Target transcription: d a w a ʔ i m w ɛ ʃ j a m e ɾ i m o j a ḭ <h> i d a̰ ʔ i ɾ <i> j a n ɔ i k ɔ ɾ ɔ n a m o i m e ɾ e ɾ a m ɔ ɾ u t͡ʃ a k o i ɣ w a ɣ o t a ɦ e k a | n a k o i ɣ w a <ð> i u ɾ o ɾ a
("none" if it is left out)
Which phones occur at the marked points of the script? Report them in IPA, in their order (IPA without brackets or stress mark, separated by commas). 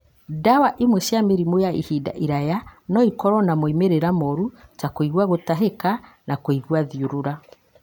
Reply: h, a, ð